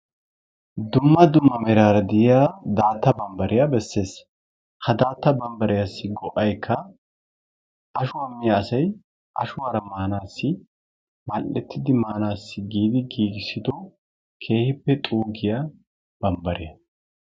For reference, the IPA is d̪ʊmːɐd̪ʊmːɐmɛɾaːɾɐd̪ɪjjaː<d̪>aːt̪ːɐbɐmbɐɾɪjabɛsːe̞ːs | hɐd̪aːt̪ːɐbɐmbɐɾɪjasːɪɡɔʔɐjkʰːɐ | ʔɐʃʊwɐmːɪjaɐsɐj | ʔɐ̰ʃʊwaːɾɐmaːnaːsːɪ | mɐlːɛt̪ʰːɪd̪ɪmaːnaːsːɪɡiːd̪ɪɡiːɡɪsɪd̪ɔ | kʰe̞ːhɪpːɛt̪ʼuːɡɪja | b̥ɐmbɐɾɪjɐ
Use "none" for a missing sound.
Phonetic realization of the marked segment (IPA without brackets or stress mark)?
d̪